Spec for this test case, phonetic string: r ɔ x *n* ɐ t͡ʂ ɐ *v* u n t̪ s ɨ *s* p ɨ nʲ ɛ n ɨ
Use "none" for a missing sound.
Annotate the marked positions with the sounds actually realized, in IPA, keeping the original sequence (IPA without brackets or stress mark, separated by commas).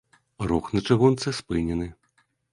n, ɣ, s